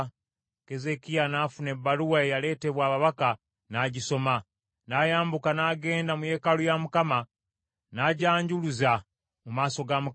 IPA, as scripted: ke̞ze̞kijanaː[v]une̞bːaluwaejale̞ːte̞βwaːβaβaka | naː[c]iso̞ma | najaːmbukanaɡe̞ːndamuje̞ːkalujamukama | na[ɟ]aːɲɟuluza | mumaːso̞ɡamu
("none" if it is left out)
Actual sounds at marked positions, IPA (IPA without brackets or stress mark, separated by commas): f, ɟ, ɟ